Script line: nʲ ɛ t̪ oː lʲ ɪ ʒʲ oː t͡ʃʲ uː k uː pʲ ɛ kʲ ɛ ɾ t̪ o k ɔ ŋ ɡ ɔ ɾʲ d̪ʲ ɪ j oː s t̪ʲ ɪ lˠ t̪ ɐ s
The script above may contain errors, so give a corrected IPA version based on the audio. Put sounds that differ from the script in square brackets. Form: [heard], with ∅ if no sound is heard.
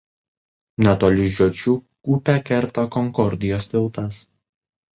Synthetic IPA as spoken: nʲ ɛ t̪ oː lʲ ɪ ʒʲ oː t͡ʃʲ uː k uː pʲ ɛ kʲ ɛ ɾ t̪ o k ɔ ŋ [k] ɔ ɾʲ d̪ʲ ɪ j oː s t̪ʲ ɪ lˠ t̪ ɐ s